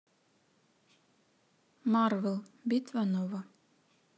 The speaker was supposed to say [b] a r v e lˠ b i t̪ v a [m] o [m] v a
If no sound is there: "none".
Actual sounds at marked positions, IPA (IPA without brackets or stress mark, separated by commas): m, n, none